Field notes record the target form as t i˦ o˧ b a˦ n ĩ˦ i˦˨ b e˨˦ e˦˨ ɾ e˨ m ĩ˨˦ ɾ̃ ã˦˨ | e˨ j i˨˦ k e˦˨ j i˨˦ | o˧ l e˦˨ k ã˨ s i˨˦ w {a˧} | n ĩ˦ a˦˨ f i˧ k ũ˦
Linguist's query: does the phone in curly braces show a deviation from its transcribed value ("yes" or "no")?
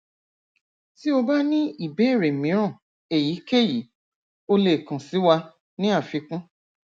no